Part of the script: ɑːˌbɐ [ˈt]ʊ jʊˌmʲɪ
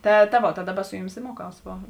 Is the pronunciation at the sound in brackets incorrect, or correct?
incorrect